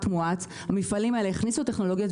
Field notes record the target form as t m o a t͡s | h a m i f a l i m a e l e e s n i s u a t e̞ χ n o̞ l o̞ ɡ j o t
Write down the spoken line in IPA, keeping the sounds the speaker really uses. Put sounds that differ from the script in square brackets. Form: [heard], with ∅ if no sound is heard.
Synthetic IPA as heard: t m [u] a t͡s | h a m i f a l i m a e l e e [χ] n i s u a t e̞ χ n o̞ l o̞ ɡ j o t